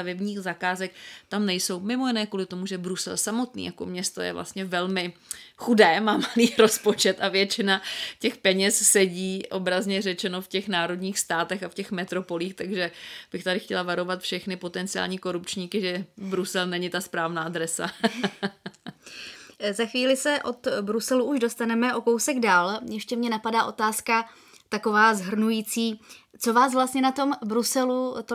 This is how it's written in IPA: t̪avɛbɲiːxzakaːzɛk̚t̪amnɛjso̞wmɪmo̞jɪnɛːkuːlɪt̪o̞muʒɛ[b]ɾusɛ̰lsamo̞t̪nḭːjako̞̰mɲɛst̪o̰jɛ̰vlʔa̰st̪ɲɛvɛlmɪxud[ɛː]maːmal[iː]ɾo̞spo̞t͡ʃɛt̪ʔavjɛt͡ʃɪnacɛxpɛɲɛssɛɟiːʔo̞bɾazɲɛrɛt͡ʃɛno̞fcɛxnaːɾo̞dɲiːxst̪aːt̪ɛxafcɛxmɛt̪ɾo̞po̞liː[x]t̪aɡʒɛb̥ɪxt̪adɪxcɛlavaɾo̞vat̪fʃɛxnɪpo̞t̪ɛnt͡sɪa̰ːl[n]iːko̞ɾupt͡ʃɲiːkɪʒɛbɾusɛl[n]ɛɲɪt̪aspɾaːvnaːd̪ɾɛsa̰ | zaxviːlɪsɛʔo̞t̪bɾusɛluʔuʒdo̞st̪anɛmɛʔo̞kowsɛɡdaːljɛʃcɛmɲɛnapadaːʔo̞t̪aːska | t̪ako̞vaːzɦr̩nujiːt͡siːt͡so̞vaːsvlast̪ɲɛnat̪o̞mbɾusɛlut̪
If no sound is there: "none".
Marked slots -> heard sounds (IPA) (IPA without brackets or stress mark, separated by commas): b, ɛː, iː, x, ɲ, n